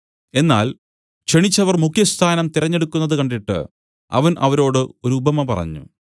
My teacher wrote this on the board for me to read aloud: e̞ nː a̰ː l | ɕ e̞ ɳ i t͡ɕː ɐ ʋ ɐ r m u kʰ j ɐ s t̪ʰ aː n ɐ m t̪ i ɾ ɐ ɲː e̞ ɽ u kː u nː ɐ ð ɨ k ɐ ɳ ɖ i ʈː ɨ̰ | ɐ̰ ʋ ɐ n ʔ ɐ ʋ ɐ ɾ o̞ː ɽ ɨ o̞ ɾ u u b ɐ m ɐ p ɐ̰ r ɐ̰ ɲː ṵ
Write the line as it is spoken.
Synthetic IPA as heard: e̞ nː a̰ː l | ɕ e̞ ɳ i t͡ɕː ɐ ʋ ɐ r m u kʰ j ɐ s t̪ʰ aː n ɐ m t̪ i ɾ ɐ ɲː e̞ ɽ u kː u nː ɐ ð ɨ k ɐ ɳ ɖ i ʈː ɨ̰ | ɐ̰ ʋ ɐ n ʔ ɐ ʋ ɐ ɾ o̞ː ɽ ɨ o̞ ɾ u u b ɐ m ɐ p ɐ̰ r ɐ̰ ɲː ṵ